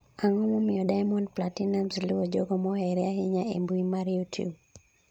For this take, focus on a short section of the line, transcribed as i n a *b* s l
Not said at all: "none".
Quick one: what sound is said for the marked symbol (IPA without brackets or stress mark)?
m